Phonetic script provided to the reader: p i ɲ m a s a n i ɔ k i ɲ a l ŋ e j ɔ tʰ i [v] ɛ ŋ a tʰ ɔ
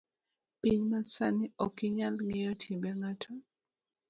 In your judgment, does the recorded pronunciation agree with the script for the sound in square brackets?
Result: no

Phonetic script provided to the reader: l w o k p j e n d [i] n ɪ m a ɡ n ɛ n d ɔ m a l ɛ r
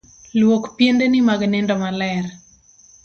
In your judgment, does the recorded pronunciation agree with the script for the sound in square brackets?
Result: no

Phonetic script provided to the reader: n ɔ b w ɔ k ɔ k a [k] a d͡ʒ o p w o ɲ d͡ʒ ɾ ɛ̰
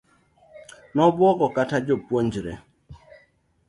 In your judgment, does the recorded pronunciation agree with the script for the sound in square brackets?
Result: no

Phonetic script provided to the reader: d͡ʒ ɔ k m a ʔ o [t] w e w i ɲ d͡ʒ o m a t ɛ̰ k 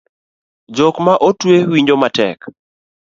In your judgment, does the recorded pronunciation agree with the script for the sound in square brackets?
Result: yes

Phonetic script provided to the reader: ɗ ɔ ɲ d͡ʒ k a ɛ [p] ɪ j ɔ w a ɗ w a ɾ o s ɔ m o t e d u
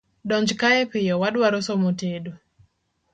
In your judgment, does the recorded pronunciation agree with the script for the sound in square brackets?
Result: yes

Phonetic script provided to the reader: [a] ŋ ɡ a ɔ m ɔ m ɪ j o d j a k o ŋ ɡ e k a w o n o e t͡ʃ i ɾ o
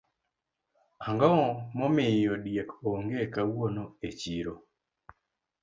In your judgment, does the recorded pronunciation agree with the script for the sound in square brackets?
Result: yes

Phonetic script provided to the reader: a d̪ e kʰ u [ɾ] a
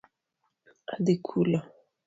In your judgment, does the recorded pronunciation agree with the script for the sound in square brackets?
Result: no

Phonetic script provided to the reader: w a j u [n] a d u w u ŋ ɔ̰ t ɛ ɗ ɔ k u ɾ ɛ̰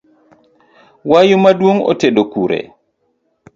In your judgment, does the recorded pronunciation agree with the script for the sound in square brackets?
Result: no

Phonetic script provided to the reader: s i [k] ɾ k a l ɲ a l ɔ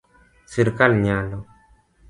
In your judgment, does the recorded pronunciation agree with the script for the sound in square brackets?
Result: no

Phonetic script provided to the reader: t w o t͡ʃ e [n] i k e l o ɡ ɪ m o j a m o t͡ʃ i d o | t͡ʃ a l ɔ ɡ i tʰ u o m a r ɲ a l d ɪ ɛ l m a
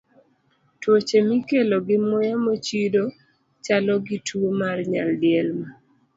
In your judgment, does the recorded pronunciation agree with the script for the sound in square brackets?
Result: no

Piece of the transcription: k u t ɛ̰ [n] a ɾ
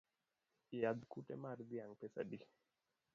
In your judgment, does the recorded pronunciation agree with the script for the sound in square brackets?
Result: no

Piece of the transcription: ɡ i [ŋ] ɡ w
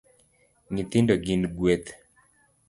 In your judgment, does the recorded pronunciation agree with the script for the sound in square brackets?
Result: no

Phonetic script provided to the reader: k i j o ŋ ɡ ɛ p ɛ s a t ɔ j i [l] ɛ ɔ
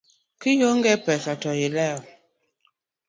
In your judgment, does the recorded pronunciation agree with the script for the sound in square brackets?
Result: yes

